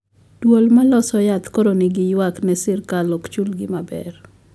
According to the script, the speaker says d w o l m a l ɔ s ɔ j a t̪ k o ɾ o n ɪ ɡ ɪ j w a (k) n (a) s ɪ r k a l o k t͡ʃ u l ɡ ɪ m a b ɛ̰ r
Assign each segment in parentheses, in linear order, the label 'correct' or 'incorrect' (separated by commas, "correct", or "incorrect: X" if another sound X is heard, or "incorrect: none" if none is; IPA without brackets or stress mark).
correct, incorrect: ɛ